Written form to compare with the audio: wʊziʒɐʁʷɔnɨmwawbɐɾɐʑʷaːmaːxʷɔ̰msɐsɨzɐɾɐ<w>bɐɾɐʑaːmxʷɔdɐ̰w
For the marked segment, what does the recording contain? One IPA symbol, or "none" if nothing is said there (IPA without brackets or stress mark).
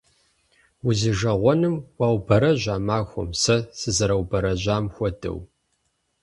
w